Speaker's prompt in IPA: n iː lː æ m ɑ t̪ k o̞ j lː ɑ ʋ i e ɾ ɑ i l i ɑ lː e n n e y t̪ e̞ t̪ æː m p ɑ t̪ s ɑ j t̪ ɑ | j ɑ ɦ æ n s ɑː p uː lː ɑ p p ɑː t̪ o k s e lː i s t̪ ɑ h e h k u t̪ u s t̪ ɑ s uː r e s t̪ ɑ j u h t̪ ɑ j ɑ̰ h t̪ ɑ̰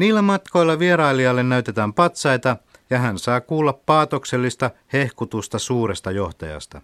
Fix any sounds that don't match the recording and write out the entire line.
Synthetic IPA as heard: n iː lː æ m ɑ t̪ k o̞ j lː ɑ ʋ i e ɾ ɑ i l i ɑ lː e n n æ y t̪ e̞ t̪ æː m p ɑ t̪ s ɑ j t̪ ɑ | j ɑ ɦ æ n s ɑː k uː lː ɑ p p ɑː t̪ o k s e lː i s t̪ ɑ h e h k u t̪ u s t̪ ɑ s uː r e s t̪ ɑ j o h t̪ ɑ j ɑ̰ s t̪ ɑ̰